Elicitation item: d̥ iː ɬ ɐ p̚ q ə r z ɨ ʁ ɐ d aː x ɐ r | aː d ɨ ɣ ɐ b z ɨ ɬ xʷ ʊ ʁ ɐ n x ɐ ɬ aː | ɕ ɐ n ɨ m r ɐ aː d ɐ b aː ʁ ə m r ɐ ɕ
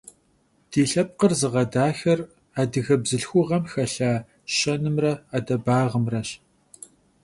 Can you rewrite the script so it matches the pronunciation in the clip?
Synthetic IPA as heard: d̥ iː ɬ ɐ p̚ q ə r z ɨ ʁ ɐ d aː x ɐ r | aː d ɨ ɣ ɐ b z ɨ ɬ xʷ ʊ ʁ ɐ m x ɐ ɬ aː | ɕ ɐ n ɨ m r ɐ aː d ɐ b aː ʁ ə m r ɐ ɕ